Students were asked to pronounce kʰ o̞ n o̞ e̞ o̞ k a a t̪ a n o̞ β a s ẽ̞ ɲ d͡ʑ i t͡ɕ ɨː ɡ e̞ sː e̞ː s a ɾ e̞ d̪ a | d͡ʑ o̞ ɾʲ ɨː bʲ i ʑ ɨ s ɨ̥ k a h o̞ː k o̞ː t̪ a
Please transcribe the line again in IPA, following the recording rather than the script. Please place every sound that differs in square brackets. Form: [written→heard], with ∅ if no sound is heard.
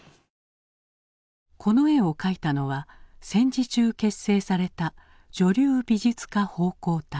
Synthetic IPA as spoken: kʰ o̞ n o̞ e̞ o̞ k a [a→i] t̪ a n o̞ β a s ẽ̞ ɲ d͡ʑ i t͡ɕ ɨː [ɡ→k] e̞ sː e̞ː s a ɾ e̞ [d̪→t̪] a | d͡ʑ o̞ ɾʲ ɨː bʲ i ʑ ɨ [s→t͡s] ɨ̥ k a h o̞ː k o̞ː t̪ a